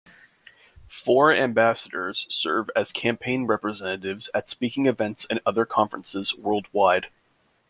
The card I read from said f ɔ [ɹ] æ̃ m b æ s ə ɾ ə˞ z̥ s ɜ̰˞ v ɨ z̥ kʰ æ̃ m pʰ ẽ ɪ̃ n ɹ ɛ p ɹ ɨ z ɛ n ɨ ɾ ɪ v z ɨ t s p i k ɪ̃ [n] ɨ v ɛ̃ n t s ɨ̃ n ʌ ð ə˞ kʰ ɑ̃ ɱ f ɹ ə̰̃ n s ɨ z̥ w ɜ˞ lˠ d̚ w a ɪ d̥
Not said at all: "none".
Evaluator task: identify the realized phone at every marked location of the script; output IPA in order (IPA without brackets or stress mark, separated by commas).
ɹ, ŋ